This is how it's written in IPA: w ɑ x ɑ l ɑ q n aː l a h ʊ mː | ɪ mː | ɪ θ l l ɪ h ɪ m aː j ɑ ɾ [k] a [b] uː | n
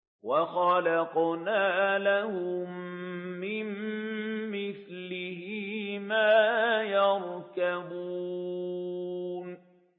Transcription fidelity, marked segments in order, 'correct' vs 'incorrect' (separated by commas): correct, correct